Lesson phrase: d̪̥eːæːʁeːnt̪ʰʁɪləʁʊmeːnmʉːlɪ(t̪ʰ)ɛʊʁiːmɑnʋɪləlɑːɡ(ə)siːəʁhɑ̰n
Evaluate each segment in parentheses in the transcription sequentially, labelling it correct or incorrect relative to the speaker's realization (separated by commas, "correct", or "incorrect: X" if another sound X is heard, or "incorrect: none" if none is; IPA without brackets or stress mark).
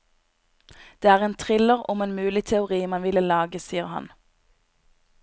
correct, correct